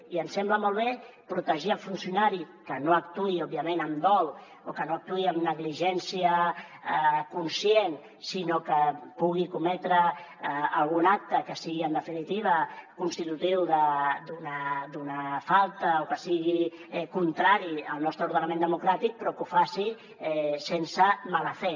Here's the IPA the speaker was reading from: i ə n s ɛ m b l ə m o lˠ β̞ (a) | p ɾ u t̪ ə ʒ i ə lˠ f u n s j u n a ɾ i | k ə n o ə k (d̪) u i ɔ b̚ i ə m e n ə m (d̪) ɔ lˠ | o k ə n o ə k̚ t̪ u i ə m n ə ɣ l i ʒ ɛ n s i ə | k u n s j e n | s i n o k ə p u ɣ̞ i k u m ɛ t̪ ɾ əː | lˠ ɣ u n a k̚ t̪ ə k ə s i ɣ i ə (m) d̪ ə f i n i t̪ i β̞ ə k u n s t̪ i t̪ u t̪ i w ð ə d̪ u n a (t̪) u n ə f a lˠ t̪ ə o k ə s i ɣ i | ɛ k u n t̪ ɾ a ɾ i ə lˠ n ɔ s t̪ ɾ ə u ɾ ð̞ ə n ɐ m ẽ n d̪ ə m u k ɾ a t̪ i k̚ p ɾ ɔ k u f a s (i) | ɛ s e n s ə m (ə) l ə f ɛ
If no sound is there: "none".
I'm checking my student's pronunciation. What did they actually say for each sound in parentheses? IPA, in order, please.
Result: e, t̪, d̪, n, d̪, i, a

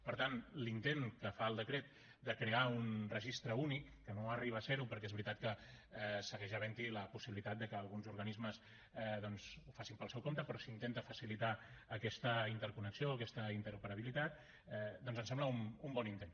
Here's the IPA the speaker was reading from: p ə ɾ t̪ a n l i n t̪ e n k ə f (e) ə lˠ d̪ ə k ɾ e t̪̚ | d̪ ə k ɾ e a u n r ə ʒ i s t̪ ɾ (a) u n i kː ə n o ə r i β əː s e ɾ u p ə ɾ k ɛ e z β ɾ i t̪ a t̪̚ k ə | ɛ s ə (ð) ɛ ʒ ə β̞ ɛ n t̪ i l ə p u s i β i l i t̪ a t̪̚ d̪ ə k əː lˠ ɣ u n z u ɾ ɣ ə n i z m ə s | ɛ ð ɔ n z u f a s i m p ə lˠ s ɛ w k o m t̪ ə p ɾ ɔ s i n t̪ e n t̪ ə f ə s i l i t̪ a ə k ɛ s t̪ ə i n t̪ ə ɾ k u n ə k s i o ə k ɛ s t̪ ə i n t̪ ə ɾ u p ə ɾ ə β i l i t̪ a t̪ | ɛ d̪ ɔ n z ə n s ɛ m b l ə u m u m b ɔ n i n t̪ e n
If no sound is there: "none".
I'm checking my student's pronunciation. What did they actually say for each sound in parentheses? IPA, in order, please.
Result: a, ə, ɣ

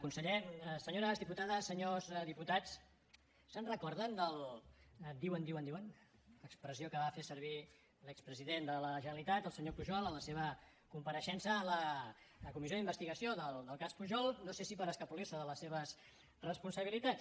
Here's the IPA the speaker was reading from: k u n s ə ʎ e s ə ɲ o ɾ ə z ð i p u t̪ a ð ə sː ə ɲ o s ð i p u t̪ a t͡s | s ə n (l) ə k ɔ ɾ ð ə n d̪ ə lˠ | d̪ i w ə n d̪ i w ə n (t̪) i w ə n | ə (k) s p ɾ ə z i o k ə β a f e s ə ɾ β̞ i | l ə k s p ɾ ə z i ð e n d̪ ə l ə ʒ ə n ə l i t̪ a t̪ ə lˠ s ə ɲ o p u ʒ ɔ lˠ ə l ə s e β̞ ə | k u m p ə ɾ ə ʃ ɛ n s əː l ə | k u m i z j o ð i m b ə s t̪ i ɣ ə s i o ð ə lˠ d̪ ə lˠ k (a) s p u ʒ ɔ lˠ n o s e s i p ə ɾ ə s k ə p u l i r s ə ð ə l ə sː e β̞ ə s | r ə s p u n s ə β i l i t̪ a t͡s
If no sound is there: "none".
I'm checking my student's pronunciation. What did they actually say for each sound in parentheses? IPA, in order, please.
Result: r, d̪, k, a

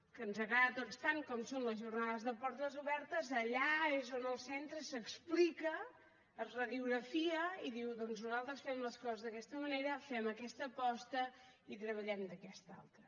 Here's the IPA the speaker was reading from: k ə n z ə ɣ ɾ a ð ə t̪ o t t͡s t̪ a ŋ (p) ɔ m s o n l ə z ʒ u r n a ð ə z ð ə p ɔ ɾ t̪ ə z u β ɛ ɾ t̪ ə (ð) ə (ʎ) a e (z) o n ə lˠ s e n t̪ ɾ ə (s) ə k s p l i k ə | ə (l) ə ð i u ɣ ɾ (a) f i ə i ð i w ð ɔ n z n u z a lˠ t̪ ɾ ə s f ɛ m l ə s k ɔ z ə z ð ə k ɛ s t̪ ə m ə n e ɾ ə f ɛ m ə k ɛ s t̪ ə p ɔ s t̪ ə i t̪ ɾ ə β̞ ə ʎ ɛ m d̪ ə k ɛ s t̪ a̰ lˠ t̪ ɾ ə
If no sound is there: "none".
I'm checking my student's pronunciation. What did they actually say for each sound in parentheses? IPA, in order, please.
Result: k, z, ʎ, z, s, r, ə

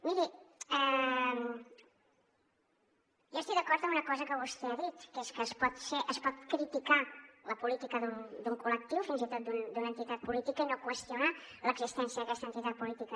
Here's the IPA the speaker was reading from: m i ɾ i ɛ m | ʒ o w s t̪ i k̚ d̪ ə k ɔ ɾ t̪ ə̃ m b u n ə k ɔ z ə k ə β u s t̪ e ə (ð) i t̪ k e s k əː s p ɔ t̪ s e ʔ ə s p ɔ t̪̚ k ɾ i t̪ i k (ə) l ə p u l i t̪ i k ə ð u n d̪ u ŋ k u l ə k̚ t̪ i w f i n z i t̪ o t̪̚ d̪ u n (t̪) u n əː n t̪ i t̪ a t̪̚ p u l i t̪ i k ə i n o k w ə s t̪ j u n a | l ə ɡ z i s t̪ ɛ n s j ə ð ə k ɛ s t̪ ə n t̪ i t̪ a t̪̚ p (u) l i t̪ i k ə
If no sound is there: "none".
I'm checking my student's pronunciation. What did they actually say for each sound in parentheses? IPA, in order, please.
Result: ð, a, d̪, u

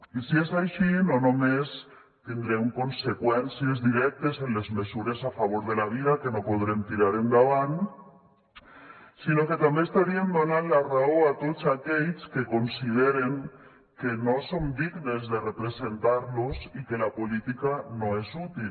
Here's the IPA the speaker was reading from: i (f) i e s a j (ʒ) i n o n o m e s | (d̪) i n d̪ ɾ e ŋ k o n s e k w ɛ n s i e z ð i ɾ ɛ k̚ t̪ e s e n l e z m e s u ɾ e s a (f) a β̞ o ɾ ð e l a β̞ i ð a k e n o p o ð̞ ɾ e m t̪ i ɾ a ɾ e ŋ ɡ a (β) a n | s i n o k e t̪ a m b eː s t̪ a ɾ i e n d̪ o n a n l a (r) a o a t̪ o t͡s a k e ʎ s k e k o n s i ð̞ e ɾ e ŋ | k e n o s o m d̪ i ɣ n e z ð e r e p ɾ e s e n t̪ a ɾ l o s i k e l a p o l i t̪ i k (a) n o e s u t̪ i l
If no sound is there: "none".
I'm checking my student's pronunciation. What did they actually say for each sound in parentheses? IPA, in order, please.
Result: s, ʃ, t̪, f, β, r, a

